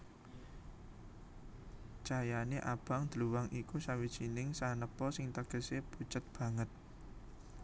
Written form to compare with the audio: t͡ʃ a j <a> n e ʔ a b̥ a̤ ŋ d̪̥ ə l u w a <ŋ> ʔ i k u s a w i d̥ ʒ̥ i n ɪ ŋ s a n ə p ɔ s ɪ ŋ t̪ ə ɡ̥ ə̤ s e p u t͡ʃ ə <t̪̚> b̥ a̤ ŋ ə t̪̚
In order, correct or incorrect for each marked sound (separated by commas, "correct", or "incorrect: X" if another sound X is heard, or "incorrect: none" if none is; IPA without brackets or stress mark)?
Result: correct, correct, correct